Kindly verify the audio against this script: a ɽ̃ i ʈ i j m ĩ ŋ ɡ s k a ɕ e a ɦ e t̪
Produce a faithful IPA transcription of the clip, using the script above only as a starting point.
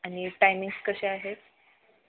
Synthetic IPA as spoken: a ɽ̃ i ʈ a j m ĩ ŋ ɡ s k ə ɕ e a ɦ e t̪